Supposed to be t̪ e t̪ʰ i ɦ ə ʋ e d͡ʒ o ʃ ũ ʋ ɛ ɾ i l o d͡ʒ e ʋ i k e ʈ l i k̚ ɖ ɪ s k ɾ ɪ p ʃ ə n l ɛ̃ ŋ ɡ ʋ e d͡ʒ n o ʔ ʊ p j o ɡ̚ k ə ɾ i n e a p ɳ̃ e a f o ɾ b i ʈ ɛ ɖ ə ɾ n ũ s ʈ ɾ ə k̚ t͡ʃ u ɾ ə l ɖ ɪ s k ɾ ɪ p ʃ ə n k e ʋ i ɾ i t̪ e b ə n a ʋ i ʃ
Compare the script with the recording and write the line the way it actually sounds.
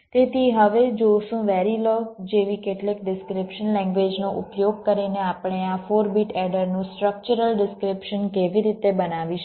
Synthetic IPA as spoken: t̪ e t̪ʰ i ɦ ə ʋ e d͡ʒ o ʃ ũ ʋ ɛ ɾ i l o d͡ʒ e ʋ i k e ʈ l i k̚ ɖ ɪ s k ɾ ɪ p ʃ ə n l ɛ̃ ŋ ɡ ʋ e d͡ʒ n o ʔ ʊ p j o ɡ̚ k ə ɾ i n e a p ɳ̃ e a f o ɾ b i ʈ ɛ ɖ ə ɾ n ũ s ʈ ɾ ə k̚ t͡ʃ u ɾ ə l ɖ ɪ s k ɾ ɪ p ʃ ə n k e ʋ i ɾ i t̪ e b ə n a ʋ i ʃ